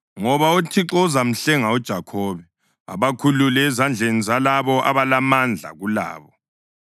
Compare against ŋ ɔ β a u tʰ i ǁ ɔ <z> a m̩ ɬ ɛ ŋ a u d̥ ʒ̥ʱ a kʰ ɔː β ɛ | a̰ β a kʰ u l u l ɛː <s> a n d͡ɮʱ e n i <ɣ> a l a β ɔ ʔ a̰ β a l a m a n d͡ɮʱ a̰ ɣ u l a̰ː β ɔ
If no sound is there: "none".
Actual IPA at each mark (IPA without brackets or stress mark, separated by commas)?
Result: z, z, z